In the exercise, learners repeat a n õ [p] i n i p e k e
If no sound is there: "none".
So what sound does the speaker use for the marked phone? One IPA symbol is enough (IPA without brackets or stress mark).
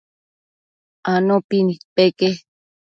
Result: p